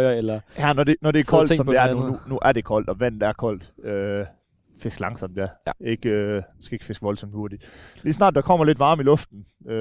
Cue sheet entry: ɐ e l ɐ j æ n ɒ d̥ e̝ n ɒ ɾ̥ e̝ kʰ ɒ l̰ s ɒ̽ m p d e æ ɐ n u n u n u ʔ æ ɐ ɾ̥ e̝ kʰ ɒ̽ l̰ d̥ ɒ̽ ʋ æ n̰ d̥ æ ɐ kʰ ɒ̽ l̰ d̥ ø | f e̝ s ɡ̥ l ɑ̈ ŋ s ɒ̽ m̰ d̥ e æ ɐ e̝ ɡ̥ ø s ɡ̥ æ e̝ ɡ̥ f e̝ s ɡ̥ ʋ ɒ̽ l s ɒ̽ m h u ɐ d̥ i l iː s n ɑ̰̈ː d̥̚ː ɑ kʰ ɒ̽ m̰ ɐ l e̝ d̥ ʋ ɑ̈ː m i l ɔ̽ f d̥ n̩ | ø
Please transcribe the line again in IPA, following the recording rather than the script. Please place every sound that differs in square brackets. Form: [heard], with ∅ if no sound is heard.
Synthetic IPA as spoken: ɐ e l ɐ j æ n ɒ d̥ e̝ n ɒ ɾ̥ e̝ kʰ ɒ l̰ s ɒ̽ m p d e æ ɐ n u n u n u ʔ æ ɐ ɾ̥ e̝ kʰ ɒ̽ l̰ d̥ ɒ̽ ʋ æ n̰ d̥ æ ɐ kʰ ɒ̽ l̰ d̥ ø | f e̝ s ɡ̥ l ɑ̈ ŋ s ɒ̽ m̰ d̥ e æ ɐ e̝ ɡ̥ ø s ɡ̥ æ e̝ ɡ̥ f e̝ s ɡ̥ ʋ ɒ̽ l s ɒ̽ m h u ɐ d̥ i l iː s n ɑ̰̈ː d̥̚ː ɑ kʰ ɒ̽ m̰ ɐ l e̝ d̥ ʋ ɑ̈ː m i l ɔ̽ f d̥ n̩ | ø